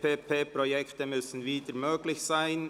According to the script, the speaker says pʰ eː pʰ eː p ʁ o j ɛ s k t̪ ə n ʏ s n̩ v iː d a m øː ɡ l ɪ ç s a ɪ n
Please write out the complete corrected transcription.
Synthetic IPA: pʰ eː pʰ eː p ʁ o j ɛ k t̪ ə m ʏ s n̩ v iː d ə m øː ɡ l ɪ ç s a ɪ n